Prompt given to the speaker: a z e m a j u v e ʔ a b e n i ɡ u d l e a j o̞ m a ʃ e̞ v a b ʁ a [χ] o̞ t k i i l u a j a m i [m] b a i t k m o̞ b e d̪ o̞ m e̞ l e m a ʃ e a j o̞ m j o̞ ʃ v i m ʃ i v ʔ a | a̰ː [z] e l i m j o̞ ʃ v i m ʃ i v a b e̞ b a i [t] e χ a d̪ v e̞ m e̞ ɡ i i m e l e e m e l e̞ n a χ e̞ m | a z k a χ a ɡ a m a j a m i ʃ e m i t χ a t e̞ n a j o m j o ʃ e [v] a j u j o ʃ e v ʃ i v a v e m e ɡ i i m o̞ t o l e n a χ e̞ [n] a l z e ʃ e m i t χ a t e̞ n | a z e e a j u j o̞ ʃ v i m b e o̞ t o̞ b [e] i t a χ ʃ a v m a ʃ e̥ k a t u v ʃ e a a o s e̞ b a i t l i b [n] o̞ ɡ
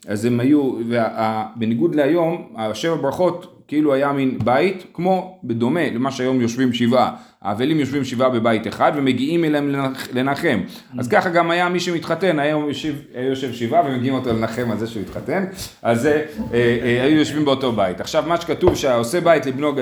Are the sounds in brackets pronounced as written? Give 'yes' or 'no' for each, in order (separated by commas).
yes, no, no, yes, yes, no, no, yes